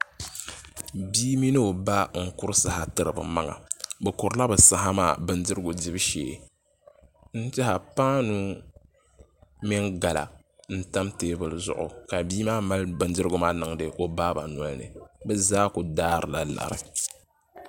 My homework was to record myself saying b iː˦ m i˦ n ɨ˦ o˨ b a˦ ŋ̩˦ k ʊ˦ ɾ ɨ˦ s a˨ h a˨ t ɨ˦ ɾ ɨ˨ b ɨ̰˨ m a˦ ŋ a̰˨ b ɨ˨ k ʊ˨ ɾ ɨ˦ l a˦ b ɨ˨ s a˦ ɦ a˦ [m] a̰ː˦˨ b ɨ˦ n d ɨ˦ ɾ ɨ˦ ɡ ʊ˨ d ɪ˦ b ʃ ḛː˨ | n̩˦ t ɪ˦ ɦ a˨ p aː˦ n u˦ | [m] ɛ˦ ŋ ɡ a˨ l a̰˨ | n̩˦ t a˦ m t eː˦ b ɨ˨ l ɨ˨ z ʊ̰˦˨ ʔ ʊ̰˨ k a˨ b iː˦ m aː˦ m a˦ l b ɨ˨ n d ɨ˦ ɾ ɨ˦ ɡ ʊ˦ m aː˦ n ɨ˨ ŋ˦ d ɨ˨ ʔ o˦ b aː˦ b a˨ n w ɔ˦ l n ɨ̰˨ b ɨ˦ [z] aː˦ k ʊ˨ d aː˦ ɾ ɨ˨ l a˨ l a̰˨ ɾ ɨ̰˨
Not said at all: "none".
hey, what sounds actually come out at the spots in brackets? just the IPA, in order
m, m, z

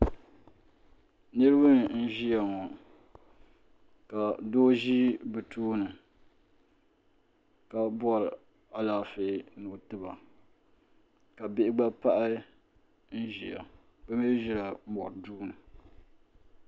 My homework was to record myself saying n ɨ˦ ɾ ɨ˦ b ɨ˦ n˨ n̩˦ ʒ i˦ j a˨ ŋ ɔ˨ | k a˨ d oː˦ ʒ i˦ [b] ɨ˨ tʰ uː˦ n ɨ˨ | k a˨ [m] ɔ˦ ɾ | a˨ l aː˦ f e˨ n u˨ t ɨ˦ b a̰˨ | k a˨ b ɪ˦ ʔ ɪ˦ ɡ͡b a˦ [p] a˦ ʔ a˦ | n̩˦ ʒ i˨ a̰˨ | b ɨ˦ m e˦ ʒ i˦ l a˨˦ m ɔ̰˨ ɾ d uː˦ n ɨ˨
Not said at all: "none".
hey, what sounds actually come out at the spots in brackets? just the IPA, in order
b, b, p

